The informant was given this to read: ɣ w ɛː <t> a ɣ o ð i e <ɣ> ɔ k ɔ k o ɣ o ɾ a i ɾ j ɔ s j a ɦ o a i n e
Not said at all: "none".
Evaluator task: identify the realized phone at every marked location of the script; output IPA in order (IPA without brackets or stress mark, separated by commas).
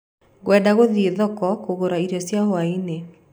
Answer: d, ð